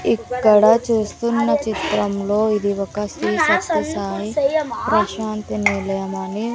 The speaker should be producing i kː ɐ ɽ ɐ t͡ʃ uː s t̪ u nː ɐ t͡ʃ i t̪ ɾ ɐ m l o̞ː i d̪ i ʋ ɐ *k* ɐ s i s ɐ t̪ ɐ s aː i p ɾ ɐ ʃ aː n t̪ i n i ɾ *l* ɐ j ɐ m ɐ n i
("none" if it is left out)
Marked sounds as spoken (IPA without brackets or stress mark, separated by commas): k, l